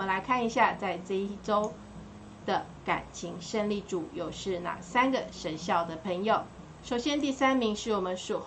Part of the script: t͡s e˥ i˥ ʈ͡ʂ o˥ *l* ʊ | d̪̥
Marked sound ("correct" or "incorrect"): incorrect